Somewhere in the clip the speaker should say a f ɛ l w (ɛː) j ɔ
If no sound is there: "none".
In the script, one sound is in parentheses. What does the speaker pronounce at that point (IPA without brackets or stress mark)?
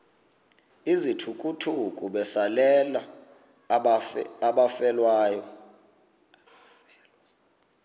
aː